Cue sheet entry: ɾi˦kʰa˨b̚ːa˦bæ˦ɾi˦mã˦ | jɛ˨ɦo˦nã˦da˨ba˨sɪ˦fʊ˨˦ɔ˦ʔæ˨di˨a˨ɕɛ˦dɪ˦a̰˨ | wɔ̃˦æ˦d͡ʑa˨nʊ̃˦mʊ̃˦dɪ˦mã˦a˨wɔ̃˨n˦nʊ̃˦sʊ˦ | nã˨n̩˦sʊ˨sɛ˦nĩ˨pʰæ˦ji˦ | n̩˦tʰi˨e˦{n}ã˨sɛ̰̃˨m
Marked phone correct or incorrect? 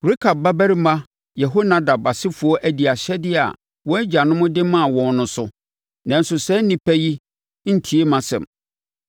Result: incorrect